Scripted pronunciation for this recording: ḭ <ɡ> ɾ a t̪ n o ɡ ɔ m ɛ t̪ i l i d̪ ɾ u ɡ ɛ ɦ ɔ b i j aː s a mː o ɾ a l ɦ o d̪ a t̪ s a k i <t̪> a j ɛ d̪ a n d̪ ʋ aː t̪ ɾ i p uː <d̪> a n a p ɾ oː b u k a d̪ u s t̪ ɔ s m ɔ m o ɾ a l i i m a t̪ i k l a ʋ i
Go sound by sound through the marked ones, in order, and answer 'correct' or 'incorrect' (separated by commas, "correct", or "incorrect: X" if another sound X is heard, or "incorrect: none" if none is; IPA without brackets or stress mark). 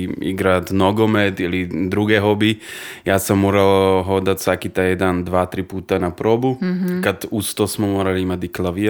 correct, correct, incorrect: t̪